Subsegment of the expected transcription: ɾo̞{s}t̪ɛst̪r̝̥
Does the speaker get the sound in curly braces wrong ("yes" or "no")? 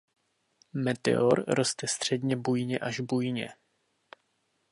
no